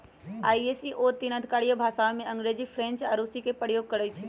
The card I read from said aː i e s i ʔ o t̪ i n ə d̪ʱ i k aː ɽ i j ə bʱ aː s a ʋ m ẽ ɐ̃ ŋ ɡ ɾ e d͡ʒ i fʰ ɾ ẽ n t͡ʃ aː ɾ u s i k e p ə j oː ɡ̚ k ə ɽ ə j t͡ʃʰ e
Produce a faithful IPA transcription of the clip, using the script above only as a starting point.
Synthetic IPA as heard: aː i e s i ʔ o t̪ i n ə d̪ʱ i k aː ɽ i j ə bʱ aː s a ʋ m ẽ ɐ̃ ŋ ɡ ɾ e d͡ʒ i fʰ ɾ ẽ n t͡ʃ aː ɾ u s i k e p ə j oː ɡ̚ k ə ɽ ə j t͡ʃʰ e